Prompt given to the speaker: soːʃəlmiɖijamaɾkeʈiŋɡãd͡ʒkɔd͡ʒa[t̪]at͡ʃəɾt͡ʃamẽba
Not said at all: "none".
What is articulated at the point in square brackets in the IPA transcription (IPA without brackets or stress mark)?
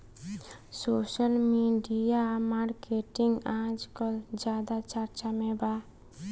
d̪